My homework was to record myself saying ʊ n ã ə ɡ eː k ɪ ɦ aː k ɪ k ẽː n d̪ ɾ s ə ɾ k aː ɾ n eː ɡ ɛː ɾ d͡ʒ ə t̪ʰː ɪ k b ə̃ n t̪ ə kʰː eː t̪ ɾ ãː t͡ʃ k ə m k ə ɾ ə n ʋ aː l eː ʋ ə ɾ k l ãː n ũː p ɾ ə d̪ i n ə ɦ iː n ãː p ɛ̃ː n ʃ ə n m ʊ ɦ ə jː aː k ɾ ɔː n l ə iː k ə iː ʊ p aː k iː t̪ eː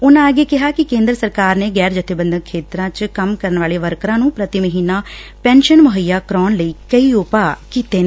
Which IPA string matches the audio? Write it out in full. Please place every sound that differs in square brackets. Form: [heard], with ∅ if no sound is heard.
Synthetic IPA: ʊ n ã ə ɡ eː k ɪ ɦ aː k ɪ k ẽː n d̪ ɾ s ə ɾ k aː ɾ n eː ɡ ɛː ɾ d͡ʒ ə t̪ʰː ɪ [∅] b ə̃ n [d̪] ə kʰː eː t̪ ɾ ãː t͡ʃ k ə m k ə ɾ ə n ʋ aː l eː ʋ ə ɾ k [ɾ] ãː n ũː p ɾ ə [t̪] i [m] ə ɦ iː n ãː p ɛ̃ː n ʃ ə n m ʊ ɦ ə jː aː k ɾ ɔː n l ə iː k ə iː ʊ p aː k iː t̪ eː